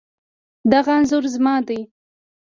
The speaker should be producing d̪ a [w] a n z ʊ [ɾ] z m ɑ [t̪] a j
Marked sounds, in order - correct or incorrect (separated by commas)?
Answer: incorrect, correct, incorrect